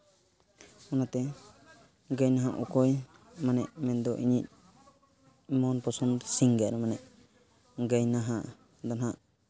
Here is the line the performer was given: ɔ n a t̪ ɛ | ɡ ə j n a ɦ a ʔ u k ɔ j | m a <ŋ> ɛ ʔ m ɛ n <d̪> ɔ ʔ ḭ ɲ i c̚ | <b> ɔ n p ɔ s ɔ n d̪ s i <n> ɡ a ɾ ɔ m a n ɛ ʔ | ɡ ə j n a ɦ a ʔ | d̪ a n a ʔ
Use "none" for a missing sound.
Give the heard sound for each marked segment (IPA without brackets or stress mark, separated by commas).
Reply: n, d̪, m, ŋ